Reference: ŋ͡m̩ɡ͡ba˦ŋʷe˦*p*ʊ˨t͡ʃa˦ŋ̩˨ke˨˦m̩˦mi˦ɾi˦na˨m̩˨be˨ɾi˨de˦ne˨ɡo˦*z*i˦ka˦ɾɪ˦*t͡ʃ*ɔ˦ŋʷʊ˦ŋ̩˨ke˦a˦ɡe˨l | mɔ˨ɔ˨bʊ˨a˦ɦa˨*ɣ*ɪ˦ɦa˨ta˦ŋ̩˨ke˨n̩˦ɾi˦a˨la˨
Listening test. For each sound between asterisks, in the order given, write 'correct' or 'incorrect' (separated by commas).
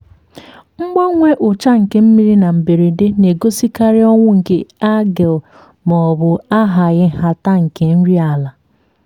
incorrect, incorrect, incorrect, correct